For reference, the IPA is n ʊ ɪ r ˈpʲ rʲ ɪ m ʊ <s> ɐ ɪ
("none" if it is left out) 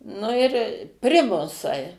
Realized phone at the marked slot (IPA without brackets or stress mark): s